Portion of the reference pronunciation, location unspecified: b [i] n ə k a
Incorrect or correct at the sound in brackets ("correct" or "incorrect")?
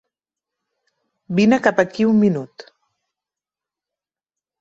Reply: correct